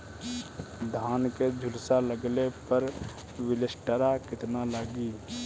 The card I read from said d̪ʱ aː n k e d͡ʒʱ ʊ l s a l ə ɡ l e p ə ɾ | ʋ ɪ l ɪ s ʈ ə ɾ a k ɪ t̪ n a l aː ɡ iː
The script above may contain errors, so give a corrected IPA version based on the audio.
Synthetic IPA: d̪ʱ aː n k e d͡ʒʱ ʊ l s a l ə ɡ l e p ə ɾ | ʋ ɪ l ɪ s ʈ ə ɾ a k ɪ t̪ n a l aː ɡ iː